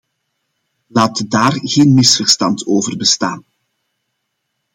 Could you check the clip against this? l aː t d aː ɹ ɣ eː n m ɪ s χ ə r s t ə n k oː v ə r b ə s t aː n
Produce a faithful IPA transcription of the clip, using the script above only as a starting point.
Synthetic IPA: l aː t d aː r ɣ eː n m ɪ s f ə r s t ɑ n t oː v ə r b ə s t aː n